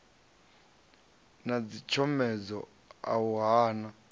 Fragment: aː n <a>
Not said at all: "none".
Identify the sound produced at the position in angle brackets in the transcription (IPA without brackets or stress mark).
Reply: a